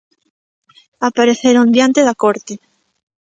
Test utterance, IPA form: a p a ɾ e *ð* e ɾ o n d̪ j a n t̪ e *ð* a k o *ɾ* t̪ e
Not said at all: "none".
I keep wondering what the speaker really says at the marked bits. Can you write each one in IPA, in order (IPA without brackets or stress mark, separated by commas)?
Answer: θ, ð, ɾ